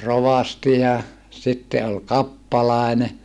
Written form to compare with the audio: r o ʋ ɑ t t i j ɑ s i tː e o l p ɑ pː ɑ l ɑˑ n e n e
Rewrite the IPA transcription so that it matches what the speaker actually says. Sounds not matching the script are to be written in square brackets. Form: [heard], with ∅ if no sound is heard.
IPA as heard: r o ʋ ɑ [s] t i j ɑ s i tː e o l [k] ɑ pː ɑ l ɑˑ [∅] e n e